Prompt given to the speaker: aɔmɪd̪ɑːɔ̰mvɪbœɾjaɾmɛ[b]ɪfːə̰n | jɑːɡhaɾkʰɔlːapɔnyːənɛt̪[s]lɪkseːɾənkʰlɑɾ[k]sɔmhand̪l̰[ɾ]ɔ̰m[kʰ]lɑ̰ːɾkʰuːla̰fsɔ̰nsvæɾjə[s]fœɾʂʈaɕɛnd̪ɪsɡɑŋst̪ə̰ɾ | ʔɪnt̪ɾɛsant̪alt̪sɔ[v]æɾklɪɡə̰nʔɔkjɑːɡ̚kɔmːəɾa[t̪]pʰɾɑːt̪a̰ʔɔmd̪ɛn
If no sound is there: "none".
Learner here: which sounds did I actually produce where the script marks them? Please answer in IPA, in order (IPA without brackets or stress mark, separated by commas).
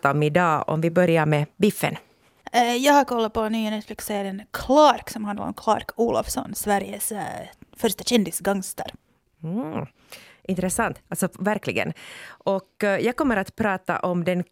b, f, k, ɾ, kʰ, s, v, t̪